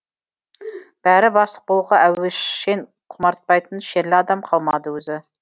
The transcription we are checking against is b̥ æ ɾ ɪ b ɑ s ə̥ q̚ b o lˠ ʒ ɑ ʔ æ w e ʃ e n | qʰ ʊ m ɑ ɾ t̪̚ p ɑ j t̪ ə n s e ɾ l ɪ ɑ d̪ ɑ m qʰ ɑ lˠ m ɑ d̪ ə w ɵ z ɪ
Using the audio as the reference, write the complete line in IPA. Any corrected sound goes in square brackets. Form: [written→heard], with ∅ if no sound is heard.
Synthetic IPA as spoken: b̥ æ ɾ ɪ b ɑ s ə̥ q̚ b o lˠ [ʒ→ʁ] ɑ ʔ æ w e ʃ e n | qʰ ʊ m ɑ ɾ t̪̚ p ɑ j t̪ ə n [s→ʃ] e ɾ l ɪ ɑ d̪ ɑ m qʰ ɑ lˠ m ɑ d̪ ə w ɵ z ɪ

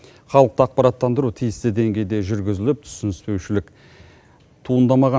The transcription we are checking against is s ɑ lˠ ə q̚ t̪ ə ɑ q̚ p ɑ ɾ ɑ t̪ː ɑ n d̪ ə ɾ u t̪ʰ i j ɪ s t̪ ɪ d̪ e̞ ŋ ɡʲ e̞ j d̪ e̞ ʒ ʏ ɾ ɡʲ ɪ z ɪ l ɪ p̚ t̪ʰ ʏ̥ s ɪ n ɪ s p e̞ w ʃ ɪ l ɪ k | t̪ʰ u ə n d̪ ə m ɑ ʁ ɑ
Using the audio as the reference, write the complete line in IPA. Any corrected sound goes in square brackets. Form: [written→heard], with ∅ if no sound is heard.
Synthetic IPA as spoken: [s→χ] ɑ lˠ ə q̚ t̪ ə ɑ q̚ p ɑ ɾ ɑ t̪ː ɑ n d̪ ə ɾ u t̪ʰ i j ɪ s t̪ ɪ d̪ e̞ ŋ ɡʲ e̞ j d̪ e̞ ʒ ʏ ɾ ɡʲ ɪ z ɪ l ɪ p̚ t̪ʰ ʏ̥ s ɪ n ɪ s p e̞ w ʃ ɪ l ɪ k | t̪ʰ u ə n d̪ [ə→ɑ] m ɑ ʁ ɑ

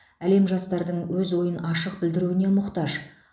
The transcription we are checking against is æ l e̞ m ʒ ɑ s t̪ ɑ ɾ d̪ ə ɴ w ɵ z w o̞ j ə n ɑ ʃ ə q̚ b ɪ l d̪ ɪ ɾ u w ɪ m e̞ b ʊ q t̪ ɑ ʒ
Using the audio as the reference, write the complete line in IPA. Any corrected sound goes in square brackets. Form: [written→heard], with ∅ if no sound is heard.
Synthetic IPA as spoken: æ l e̞ m ʒ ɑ s t̪ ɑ ɾ d̪ ə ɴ w ɵ z w o̞ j ə n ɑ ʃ ə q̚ b ɪ l d̪ ɪ ɾ u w ɪ [m→n] e̞ [b→m] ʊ q t̪ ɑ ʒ

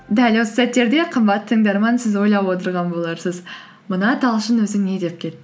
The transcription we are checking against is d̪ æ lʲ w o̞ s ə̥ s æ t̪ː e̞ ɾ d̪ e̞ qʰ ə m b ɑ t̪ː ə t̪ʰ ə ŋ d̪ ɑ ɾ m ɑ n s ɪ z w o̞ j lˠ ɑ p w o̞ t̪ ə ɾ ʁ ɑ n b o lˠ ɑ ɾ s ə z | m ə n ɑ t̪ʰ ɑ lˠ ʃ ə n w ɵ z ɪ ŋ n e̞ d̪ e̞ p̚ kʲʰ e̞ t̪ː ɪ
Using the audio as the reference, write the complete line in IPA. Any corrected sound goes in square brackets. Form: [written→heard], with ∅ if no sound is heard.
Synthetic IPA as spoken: d̪ æ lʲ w o̞ s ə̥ s æ t̪ː e̞ ɾ d̪ e̞ qʰ ə m b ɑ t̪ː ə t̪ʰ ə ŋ d̪ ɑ ɾ m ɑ n s ɪ z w o̞ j lˠ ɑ p w o̞ t̪ ə ɾ ʁ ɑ n b o lˠ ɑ ɾ s ə z | m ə n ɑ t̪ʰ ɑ lˠ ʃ ə n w ɵ z ɪ ŋ n e̞ d̪ e̞ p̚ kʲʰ e̞ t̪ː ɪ

